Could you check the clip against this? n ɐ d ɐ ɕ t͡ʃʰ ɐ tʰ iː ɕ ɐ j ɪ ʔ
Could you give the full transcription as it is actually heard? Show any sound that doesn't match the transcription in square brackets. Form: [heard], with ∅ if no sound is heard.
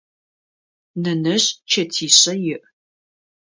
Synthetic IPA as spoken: n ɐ [n] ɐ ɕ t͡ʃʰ ɐ tʰ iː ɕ ɐ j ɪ ʔ